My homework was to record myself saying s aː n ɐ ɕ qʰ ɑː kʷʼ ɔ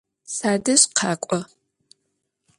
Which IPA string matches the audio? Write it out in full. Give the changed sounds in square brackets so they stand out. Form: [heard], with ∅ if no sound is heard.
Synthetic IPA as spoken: s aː [d] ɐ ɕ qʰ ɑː kʷʼ ɔ